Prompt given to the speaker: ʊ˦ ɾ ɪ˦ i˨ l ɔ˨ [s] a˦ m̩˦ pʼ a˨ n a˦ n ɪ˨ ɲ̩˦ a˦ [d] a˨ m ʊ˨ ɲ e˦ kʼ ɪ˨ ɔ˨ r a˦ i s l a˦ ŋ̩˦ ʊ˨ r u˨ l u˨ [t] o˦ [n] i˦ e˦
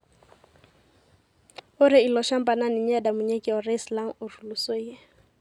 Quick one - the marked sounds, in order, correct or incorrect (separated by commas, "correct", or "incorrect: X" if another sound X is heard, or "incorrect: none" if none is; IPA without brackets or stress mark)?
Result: incorrect: ʃ, correct, incorrect: s, incorrect: none